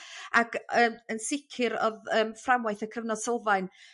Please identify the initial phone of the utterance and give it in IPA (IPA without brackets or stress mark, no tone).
a